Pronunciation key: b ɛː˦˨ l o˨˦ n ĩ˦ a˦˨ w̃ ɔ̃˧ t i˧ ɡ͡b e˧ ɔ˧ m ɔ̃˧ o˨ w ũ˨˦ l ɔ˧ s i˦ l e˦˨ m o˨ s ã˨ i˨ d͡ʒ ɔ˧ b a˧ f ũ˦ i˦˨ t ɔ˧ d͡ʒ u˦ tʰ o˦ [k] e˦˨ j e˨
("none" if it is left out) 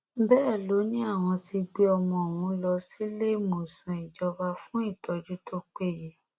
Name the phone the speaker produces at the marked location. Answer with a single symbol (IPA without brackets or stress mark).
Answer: k͡p